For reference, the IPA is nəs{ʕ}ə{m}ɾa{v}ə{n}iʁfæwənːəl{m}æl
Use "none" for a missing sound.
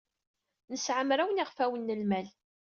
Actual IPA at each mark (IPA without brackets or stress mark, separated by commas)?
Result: ʕ, m, w, n, m